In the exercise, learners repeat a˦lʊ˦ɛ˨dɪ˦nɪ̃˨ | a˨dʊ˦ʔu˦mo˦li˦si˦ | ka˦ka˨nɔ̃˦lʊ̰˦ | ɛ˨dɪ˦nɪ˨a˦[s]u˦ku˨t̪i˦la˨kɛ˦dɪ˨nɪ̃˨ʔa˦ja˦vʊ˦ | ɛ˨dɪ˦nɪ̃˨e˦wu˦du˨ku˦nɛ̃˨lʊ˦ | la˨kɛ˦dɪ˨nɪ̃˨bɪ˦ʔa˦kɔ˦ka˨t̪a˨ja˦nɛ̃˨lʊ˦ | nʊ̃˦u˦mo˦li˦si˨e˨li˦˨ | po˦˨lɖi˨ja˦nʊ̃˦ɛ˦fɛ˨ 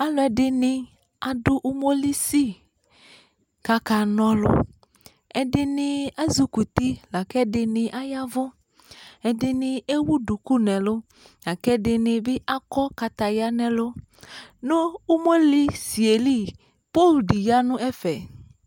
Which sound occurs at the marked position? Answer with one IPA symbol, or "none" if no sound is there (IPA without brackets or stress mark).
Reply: z